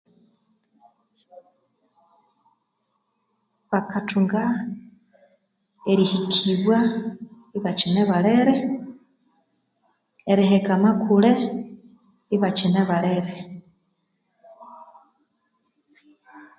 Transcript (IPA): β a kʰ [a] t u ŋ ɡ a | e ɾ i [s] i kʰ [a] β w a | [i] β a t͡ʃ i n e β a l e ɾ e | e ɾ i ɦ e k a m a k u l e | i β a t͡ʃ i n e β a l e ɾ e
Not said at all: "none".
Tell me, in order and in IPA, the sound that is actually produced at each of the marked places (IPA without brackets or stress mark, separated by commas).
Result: a, h, i, i